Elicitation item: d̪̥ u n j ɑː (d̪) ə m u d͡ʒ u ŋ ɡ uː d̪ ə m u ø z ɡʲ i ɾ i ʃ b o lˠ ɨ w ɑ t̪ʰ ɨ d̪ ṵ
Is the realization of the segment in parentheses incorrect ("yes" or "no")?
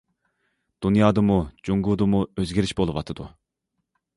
no